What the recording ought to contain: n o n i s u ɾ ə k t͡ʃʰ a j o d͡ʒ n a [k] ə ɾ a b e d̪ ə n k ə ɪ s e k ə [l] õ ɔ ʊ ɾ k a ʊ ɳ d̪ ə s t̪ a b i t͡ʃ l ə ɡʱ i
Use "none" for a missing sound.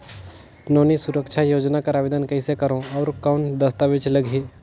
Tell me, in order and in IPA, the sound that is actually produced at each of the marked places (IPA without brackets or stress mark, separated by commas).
k, ɾ